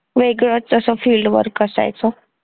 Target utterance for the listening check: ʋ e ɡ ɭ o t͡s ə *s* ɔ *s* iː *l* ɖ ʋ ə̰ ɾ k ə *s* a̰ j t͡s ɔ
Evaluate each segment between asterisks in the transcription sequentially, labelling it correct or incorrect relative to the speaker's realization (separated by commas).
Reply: correct, incorrect, correct, correct